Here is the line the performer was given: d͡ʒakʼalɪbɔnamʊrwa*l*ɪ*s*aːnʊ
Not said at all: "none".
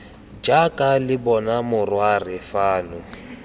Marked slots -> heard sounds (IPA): r, f

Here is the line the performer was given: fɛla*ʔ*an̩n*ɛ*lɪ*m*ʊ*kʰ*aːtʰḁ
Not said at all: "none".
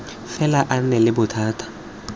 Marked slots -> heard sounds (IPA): ʔ, ɛ, b, tʰ

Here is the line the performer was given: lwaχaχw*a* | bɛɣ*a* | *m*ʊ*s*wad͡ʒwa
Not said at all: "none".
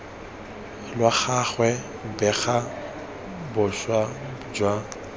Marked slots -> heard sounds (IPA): ɛ, a, b, ʃ

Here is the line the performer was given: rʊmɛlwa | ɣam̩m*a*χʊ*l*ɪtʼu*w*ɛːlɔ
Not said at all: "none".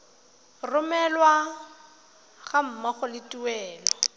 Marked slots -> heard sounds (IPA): a, l, w

